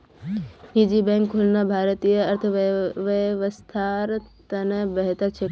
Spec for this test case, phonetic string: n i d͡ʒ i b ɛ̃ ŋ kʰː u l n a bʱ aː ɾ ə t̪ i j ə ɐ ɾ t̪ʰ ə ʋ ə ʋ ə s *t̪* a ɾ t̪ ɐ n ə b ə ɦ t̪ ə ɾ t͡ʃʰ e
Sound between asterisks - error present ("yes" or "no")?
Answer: yes